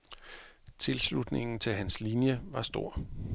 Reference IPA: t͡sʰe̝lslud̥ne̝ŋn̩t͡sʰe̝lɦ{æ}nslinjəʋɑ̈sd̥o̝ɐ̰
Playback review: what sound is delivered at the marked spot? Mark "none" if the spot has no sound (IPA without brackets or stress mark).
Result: æ